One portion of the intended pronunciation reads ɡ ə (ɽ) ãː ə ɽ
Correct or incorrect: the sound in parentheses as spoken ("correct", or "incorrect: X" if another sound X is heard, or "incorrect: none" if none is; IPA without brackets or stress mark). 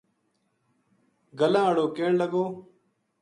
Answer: incorrect: l